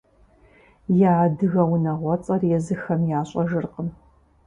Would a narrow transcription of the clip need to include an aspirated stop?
no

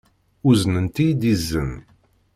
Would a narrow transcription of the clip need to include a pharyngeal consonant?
no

